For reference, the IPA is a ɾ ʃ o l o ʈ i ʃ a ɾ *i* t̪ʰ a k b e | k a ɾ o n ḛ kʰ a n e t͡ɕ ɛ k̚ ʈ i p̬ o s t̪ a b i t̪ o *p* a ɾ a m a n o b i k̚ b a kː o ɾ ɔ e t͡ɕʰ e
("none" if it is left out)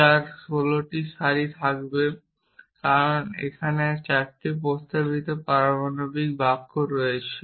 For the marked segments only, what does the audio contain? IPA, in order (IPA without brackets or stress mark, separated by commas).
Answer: i, p